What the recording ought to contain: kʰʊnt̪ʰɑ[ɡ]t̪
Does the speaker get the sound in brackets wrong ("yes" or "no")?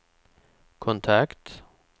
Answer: yes